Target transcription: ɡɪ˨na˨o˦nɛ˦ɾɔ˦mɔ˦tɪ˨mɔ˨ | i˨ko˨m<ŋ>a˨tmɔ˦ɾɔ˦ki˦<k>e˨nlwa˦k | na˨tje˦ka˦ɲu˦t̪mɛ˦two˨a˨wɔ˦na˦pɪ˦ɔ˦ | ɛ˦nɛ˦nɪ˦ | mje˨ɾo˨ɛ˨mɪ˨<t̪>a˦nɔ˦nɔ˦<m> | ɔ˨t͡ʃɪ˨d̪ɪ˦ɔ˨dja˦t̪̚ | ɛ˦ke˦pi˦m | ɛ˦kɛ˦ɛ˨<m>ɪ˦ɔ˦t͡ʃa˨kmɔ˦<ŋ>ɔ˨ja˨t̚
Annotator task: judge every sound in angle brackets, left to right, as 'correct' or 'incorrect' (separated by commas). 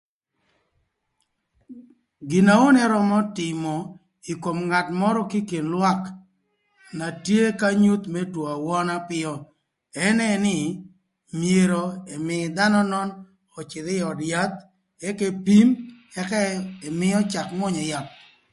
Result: correct, correct, incorrect, incorrect, correct, incorrect